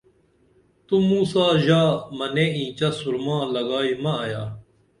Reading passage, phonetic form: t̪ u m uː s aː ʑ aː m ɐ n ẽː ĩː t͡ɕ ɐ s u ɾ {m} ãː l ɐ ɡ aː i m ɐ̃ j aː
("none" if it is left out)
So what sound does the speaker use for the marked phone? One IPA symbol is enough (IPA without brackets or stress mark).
m